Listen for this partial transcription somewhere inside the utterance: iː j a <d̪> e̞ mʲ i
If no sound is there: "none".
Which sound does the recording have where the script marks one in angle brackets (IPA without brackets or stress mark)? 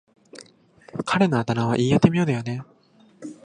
t̪